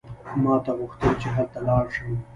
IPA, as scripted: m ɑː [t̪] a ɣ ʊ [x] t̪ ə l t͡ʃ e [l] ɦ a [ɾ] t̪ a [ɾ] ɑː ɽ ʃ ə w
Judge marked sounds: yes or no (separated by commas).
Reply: yes, yes, no, no, no